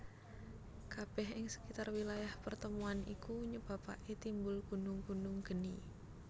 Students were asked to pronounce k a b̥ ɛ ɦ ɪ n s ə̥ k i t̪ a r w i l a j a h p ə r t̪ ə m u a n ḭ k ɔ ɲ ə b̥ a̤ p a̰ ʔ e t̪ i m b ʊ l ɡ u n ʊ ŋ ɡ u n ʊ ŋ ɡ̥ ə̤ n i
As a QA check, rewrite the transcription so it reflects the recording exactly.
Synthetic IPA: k a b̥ ɛ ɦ ɪ ŋ s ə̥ k i t̪ a r w i l a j a h p ə r t̪ ə m u a n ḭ k u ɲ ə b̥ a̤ p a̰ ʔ e t̪ i m b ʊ l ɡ u n ʊ ŋ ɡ u n ʊ ŋ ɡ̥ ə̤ n i